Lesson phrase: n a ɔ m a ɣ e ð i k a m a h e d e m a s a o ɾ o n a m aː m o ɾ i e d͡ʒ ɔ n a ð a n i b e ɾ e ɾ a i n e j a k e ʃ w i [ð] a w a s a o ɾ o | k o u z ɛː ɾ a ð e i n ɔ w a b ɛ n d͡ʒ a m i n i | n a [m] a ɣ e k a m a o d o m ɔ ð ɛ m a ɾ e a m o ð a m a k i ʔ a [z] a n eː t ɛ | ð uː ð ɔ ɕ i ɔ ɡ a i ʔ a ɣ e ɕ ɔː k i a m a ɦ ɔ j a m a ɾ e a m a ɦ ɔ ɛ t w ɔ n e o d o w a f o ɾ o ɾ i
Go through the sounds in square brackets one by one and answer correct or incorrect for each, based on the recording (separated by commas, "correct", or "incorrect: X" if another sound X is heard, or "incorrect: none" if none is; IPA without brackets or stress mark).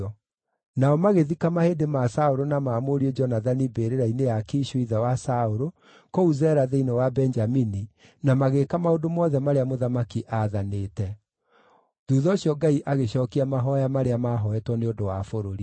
correct, correct, incorrect: ð